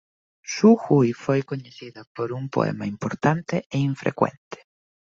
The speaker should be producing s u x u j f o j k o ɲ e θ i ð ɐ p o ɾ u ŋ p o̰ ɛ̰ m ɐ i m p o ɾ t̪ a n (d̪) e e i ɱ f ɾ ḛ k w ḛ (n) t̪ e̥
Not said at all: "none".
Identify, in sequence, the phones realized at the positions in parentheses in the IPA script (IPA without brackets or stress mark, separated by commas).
t̪, n